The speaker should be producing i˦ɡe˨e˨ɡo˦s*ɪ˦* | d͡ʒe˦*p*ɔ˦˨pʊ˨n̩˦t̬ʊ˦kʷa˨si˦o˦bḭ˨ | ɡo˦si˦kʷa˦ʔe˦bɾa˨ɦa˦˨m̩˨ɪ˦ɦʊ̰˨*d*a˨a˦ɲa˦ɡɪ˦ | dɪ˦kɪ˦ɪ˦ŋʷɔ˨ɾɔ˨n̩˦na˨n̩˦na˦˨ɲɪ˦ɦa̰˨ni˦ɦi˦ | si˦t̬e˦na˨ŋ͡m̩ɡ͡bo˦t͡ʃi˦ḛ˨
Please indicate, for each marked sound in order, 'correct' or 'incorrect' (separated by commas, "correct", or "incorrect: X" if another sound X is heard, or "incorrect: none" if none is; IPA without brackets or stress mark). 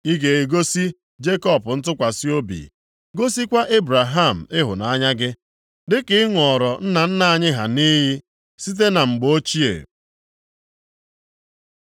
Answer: incorrect: i˦, incorrect: k, incorrect: n